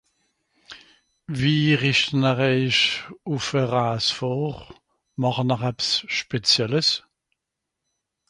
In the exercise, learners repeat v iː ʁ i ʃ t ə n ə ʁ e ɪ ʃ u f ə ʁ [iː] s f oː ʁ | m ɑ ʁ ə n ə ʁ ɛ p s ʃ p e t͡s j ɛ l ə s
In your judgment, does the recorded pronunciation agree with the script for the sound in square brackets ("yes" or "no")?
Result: no